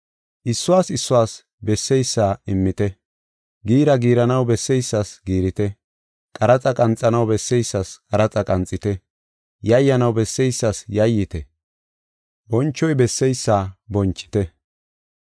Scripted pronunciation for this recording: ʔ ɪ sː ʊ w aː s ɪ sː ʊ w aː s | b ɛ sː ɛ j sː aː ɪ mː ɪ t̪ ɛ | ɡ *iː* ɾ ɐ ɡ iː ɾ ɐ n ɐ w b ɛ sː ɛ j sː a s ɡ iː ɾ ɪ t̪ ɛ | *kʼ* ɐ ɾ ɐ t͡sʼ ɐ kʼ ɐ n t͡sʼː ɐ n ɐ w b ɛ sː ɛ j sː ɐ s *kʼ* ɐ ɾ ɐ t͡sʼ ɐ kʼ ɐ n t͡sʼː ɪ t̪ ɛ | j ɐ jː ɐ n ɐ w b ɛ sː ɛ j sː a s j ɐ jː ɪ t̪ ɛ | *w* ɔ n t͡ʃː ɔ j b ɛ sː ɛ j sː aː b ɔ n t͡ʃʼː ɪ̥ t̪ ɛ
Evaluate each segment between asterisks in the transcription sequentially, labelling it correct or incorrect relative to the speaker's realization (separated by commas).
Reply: correct, correct, correct, incorrect